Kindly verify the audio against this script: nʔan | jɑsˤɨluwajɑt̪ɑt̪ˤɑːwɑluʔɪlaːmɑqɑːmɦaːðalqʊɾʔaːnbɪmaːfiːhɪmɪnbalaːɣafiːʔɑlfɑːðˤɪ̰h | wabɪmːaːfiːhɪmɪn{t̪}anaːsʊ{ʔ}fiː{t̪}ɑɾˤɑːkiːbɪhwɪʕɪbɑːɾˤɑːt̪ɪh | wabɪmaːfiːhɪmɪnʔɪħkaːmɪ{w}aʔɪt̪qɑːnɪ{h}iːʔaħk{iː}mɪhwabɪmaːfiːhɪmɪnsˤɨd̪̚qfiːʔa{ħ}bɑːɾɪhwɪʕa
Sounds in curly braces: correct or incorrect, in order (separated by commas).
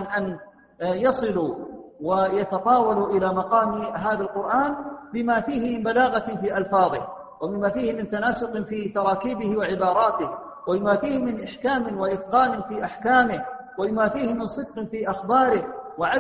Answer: correct, incorrect, correct, correct, incorrect, incorrect, incorrect